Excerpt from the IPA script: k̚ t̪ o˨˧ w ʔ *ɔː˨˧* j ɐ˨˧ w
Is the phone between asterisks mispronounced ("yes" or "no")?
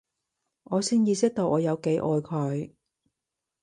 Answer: no